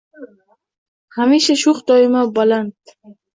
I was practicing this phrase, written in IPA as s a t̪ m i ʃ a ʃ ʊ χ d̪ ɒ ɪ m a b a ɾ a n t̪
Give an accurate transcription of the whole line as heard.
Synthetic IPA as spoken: h a m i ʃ a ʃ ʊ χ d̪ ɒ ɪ m a b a l a n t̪

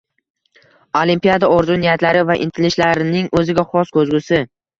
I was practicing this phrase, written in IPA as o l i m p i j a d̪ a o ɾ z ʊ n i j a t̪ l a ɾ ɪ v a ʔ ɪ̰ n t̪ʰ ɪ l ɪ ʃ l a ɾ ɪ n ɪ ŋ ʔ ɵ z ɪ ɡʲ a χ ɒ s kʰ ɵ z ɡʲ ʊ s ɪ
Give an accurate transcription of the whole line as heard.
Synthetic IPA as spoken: o l i m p i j a d̪ a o ɾ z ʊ n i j a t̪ l a ɾ ɪ v a ʔ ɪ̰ n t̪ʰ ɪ l ɪ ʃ l a ɾ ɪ n ɪ ŋ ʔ ɵ z ɪ ɡʲ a χ ɒ s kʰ ɵ z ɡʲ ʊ s ɪ

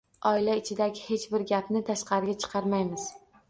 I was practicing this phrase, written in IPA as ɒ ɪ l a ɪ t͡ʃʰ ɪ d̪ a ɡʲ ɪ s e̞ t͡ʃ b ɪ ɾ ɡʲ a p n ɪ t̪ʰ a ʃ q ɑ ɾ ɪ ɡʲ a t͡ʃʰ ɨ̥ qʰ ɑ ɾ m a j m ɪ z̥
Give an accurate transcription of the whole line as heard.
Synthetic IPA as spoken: ɒ ɪ l a ɪ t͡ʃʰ ɪ d̪ a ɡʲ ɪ h e̞ t͡ʃ b ɪ ɾ ɡʲ a p n ɪ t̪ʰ a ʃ q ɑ ɾ ɪ ɡʲ a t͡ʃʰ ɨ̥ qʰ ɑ ɾ m a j m ɪ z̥

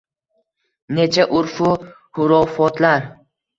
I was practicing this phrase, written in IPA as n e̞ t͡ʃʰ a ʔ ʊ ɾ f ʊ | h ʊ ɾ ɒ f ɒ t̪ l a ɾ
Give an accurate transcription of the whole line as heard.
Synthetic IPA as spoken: n e̞ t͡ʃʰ a ʔ ʊ ɾ f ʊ | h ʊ ɾ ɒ f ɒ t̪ l a ɾ

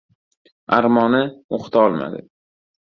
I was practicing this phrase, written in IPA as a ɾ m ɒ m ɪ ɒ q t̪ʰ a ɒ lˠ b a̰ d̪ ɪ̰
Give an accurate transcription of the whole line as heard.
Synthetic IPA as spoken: a ɾ m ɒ n ɪ o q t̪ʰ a ɒ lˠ m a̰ d̪ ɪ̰

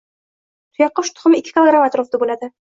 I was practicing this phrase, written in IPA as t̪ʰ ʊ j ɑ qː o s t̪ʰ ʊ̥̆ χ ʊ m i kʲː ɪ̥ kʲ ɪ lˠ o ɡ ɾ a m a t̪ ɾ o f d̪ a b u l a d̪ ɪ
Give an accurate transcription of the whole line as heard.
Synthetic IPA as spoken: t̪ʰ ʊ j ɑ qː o ʃ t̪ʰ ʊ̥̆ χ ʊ m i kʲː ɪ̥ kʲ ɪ lˠ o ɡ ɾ a m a t̪ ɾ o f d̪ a b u l a d̪ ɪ

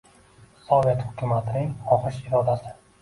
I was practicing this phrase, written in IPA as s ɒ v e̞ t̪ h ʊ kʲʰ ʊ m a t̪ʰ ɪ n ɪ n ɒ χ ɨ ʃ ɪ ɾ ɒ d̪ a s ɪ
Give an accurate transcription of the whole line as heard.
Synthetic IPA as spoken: s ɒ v e̞ t̪ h ʊ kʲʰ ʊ m a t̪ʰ ɪ n ɪ ŋ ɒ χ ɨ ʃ ɪ ɾ ɒ d̪ a s ɪ

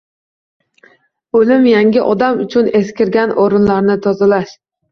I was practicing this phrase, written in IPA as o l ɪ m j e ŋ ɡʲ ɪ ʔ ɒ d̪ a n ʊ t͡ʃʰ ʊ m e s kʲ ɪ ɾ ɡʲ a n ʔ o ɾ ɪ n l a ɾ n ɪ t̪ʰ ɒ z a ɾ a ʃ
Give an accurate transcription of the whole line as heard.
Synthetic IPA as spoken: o l ɪ m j a ŋ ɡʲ ɪ ʔ ɒ d̪ a m ʊ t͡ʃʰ ʊ n e s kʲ ɪ ɾ ɡʲ a n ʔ o ɾ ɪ n l a ɾ n ɪ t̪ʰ ɒ z a l a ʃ

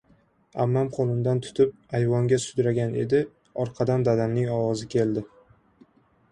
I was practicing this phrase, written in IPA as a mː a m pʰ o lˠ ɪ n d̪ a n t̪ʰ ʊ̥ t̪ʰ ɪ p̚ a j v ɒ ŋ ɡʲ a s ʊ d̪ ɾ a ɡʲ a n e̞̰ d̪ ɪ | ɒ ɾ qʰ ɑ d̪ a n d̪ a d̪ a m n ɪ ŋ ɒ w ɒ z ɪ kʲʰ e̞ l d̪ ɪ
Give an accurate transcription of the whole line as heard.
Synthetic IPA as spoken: a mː a m qʰ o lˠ ɪ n d̪ a n t̪ʰ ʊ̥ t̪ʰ ɪ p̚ a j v ɒ ŋ ɡʲ a s ʊ d̪ ɾ a ɡʲ a n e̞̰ d̪ ɪ | ɒ ɾ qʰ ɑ d̪ a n d̪ a d̪ a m n ɪ ŋ ɒ w ɒ z ɪ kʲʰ e̞ l d̪ ɪ

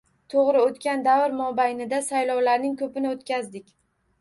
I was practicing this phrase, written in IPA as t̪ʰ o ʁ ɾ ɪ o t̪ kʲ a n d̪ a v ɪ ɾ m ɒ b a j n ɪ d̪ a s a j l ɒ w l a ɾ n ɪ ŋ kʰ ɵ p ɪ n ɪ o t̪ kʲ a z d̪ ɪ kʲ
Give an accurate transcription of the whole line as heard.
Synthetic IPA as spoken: t̪ʰ o ʁ ɾ ɪ o t̪ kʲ a n d̪ a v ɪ ɾ m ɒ b a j n ɪ d̪ a s a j l ɒ w l a ɾ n ɪ ŋ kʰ ɵ p ɪ n ɪ o t̪ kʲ a z d̪ ɪ kʲ

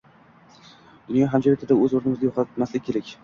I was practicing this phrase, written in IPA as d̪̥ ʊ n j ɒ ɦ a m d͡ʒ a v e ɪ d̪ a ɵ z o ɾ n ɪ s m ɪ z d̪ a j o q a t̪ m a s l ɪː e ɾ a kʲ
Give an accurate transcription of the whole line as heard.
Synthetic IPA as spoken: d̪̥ ʊ n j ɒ ɦ a m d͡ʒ a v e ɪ d̪ a ɵ z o ɾ n ɪ m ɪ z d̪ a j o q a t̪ m a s l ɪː e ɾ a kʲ

